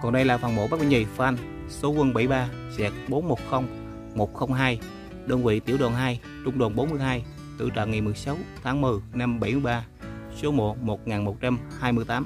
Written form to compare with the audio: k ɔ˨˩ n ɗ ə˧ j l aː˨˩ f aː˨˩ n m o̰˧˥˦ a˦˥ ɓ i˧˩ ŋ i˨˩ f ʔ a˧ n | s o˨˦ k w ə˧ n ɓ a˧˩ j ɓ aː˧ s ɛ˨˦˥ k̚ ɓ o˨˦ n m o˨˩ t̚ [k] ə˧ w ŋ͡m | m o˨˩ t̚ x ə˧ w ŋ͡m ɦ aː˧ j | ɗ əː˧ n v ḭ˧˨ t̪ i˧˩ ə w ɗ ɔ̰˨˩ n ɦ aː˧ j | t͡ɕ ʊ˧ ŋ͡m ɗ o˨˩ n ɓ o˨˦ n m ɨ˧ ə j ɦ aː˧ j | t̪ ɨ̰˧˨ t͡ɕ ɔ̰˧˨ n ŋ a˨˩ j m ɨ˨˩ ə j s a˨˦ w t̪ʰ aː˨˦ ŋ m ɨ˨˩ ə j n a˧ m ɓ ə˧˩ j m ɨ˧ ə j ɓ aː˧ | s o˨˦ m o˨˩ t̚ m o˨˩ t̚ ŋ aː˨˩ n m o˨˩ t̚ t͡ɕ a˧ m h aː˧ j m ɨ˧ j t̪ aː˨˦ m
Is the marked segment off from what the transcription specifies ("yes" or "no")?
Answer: yes